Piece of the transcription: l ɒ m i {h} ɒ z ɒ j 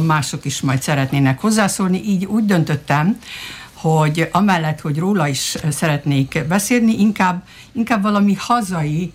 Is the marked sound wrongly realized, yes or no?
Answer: no